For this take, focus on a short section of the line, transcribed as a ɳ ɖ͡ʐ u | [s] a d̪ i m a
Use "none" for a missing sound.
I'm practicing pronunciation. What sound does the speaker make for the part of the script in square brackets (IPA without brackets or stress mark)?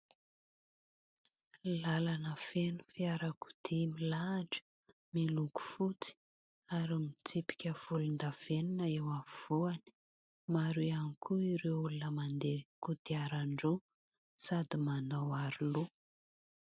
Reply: s